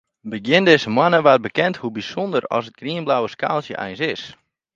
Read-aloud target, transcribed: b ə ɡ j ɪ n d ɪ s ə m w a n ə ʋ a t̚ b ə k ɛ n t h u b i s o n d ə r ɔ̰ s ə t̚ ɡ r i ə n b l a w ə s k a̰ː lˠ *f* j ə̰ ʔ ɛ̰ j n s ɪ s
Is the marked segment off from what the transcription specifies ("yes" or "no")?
yes